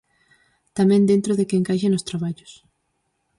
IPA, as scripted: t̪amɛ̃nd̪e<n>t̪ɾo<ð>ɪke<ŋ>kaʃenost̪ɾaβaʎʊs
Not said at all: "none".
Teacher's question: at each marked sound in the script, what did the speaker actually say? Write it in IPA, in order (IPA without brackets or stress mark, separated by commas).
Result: n, ð, ŋ